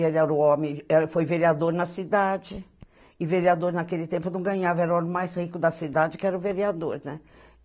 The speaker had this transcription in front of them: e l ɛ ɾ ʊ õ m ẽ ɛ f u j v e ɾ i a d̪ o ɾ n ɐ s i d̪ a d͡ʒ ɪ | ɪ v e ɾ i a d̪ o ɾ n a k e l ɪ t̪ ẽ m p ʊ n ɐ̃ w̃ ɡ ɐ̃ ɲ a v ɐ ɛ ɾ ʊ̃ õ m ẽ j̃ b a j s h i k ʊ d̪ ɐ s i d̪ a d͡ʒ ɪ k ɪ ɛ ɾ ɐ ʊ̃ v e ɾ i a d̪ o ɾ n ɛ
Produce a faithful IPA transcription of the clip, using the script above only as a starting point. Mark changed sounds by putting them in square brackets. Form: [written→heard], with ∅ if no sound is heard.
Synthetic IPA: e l ɛ ɾ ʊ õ m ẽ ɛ f [u→o] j v e ɾ i a d̪ o ɾ n ɐ s i d̪ a d͡ʒ ɪ | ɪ v e ɾ i a d̪ o ɾ n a k e l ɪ t̪ ẽ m p ʊ n ɐ̃ w̃ ɡ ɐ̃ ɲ a v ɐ ɛ ɾ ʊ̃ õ m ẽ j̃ [b→m] a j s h i k ʊ d̪ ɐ s i d̪ a d͡ʒ ɪ k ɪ ɛ ɾ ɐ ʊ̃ v e ɾ i a d̪ o ɾ n ɛ